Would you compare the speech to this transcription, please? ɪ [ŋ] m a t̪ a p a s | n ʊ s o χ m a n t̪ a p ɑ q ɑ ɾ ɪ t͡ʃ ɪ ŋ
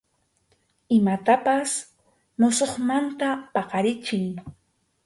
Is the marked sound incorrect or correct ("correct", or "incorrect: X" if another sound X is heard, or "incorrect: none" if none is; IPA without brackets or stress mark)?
incorrect: none